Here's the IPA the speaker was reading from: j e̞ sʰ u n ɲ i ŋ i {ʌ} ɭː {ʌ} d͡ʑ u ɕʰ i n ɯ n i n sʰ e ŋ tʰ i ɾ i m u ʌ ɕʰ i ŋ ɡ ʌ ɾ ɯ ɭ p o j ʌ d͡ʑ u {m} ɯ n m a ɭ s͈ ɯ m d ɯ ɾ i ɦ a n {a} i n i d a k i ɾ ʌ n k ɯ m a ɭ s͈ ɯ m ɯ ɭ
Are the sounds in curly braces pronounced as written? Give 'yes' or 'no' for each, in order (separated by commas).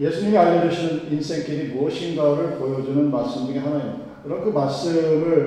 no, yes, no, yes